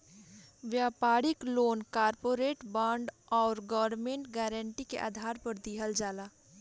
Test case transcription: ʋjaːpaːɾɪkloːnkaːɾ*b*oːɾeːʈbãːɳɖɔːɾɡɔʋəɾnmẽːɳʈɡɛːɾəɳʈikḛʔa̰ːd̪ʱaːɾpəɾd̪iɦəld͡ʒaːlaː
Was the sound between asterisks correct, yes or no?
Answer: no